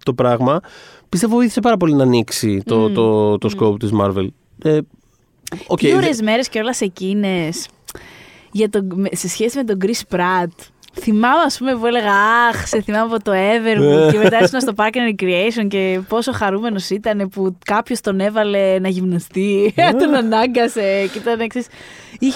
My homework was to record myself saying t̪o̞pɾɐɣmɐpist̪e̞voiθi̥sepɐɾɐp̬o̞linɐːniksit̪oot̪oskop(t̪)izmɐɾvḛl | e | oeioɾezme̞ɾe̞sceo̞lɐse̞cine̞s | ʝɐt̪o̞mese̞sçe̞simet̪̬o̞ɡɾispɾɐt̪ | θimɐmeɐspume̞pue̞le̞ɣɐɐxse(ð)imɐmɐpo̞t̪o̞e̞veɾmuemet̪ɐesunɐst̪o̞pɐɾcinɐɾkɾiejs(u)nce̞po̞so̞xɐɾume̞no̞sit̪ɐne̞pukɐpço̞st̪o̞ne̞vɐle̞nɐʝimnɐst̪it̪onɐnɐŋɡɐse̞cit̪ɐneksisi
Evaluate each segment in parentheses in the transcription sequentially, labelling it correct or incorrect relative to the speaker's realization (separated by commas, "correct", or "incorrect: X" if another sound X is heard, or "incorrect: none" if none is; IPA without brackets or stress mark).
correct, incorrect: θ, incorrect: o